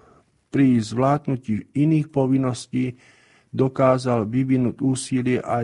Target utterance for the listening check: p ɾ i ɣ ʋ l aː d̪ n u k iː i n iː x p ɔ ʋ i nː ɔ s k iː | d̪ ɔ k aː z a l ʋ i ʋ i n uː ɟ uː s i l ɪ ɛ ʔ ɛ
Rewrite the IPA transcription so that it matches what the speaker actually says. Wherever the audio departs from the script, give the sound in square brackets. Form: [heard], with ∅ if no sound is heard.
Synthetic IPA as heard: p ɾ i [z] ʋ l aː d̪ n u [c] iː i n iː x p ɔ ʋ i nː ɔ s [c] iː | d̪ ɔ k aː z a l ʋ i ʋ i n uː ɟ uː s i l ɪ ɛ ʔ [a]